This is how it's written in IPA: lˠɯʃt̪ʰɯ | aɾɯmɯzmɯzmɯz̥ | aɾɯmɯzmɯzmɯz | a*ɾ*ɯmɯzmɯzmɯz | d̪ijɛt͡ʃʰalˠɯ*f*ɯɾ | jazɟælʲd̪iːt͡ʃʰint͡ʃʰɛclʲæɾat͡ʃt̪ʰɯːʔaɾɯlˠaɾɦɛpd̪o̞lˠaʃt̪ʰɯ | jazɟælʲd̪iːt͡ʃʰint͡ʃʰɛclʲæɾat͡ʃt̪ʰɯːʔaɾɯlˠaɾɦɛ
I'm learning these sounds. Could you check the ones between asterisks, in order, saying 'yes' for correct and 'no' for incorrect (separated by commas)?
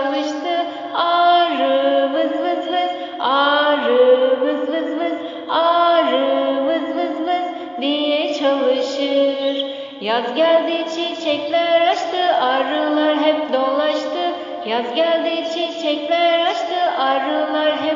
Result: yes, no